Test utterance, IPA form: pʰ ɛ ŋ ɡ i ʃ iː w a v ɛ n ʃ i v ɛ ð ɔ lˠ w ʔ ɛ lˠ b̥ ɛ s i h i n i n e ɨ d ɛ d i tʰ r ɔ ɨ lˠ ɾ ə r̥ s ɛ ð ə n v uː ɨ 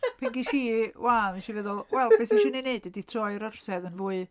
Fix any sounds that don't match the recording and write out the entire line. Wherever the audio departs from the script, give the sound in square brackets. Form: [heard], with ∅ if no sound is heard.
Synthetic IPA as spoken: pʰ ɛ ŋ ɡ i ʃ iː w a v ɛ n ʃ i v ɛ ð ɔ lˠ w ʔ ɛ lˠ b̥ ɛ s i [ʃ] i n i n e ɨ d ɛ d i tʰ r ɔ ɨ [∅] ɾ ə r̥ s ɛ ð ə n v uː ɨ